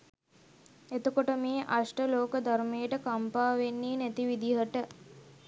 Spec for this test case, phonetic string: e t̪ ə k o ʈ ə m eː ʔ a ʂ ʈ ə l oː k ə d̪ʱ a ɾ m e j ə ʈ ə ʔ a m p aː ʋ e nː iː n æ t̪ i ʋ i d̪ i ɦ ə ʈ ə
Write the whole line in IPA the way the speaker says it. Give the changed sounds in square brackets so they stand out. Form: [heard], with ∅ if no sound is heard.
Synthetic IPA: e t̪ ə k o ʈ ə m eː ʔ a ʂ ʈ ə l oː k ə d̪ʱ a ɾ m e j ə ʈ ə [k] a m p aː ʋ e nː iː n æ t̪ i ʋ i d̪ i ɦ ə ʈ ə

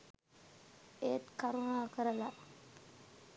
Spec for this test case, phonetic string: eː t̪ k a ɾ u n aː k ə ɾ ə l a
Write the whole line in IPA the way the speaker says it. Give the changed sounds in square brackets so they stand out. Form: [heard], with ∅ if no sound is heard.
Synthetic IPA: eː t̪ k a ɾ u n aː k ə ɾ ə l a

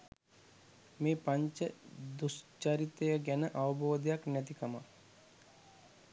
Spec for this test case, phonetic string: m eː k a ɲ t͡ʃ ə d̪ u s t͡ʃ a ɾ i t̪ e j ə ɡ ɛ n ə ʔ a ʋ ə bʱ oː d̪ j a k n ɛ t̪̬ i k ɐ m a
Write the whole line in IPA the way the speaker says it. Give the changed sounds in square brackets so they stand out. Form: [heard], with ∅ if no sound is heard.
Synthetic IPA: m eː [p] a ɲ t͡ʃ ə d̪ u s t͡ʃ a ɾ i t̪ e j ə ɡ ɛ n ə ʔ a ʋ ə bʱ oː d̪ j a k n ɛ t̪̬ i k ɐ m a

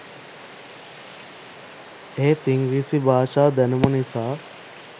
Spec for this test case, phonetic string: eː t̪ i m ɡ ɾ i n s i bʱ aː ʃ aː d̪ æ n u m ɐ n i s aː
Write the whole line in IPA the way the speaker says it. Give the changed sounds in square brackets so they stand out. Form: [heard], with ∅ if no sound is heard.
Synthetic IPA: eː t̪ i [ŋ] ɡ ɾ i [∅] s i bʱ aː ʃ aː d̪ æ n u m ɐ n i s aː

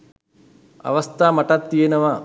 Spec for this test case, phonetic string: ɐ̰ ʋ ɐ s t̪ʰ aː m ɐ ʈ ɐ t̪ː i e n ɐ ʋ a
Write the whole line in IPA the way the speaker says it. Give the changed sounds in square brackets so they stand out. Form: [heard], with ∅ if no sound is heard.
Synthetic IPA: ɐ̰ ʋ ɐ s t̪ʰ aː m ɐ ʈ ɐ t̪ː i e n ɐ ʋ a

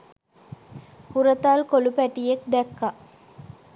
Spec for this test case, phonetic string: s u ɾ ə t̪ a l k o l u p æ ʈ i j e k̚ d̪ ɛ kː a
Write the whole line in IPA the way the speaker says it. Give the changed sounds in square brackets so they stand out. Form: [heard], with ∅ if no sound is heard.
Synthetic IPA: [h] u ɾ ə t̪ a l k o l u p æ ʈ i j e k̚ d̪ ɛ kː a

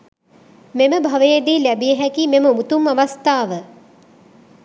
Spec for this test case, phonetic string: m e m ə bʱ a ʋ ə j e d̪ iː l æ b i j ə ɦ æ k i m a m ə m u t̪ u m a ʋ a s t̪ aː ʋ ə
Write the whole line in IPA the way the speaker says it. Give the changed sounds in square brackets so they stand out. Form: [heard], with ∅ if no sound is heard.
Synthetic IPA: m e m ə bʱ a ʋ ə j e d̪ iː l æ b i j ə ɦ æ k i m [e] m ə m u t̪ u m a ʋ a s t̪ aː ʋ ə

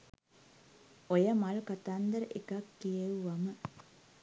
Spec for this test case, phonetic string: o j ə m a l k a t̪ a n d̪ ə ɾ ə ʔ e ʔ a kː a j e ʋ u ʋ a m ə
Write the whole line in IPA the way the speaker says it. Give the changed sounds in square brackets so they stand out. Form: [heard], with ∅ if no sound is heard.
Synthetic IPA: o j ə m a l k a t̪ a n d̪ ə ɾ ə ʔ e [k] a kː [i] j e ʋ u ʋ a m ə

